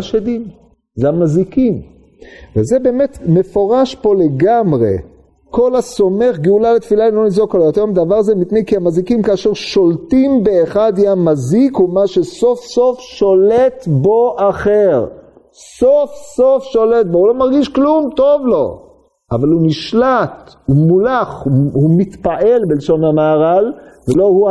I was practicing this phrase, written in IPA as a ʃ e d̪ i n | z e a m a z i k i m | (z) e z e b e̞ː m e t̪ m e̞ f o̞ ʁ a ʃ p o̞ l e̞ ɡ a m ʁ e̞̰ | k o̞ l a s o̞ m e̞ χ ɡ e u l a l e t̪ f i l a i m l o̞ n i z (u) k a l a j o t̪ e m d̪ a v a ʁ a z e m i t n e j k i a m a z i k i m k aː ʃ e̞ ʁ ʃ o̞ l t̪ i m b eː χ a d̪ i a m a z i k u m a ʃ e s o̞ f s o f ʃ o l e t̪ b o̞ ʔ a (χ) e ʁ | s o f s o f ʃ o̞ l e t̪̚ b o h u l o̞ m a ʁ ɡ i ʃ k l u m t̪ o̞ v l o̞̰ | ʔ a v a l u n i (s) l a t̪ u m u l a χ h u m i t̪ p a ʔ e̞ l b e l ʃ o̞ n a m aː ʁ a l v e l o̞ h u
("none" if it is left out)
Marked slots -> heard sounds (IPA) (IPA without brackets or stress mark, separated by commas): v, o, χ, ʃ